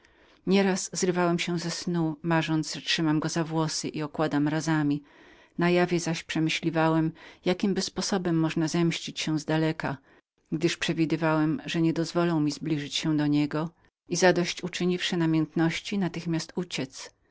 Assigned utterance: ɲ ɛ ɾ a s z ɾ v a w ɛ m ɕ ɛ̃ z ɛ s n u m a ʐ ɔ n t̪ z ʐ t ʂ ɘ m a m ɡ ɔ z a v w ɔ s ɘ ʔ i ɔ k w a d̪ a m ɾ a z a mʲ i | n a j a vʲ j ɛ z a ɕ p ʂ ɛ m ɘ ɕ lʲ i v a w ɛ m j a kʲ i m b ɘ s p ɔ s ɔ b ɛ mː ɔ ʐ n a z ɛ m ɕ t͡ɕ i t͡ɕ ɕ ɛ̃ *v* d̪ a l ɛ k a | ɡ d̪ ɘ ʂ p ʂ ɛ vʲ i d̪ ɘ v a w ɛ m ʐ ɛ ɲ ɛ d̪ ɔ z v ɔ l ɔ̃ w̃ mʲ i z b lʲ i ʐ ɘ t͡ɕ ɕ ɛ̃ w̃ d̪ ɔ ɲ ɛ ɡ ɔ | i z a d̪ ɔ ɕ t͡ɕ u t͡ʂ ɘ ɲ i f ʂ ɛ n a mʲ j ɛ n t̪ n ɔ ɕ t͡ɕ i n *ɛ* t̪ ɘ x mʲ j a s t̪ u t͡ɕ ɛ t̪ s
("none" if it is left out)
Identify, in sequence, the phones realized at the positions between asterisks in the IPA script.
z, a

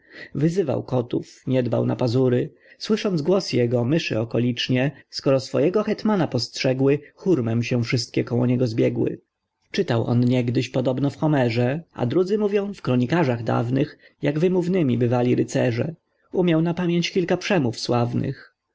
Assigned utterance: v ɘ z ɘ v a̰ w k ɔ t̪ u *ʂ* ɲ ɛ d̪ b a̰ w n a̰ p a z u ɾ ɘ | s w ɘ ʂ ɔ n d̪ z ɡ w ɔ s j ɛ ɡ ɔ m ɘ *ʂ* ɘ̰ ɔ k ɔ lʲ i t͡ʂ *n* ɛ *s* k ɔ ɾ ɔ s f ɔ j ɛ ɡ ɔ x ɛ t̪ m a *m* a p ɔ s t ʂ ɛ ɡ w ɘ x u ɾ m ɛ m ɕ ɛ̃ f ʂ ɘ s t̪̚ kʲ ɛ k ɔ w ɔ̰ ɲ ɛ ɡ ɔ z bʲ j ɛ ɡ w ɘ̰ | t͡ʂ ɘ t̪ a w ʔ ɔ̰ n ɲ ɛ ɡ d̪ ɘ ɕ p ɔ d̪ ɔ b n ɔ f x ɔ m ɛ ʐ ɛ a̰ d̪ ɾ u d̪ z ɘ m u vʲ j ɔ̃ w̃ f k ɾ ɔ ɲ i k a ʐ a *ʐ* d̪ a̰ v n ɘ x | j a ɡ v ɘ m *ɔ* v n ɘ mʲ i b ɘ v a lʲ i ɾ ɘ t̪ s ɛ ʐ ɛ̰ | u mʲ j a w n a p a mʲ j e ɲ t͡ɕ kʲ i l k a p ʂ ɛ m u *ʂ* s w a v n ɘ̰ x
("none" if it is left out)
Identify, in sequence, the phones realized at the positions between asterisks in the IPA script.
f, ʂ, ɲ, s, n, ɣ, u, f

